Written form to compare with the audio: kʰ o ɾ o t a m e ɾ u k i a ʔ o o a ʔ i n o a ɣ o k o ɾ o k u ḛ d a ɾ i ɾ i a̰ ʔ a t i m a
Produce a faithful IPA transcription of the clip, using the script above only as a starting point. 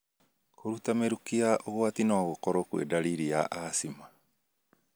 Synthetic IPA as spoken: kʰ o ɾ u t a m e ɾ u k i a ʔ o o a t i n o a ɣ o k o ɾ o k u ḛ d a ɾ i ɾ i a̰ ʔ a s i m a